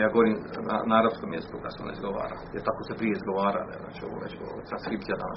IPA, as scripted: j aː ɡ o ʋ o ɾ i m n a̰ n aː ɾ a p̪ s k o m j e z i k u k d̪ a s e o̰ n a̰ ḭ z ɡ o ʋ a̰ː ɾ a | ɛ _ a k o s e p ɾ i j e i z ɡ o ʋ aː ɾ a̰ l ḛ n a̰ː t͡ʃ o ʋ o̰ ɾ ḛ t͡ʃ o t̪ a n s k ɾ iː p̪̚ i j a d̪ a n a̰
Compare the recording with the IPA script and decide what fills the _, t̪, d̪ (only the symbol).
t̪